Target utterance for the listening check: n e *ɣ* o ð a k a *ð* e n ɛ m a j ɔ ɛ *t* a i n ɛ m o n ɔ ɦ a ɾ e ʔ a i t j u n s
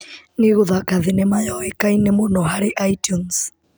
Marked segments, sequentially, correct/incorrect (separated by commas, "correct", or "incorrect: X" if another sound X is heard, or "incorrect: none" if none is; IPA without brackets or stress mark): correct, correct, incorrect: k